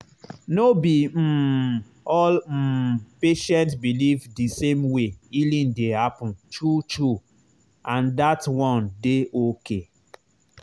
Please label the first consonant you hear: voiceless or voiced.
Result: voiced